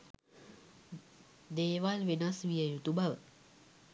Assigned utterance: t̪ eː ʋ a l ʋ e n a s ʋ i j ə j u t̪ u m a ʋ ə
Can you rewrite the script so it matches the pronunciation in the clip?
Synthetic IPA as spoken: d̪ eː ʋ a l ʋ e n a s ʋ i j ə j u t̪ u b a ʋ ə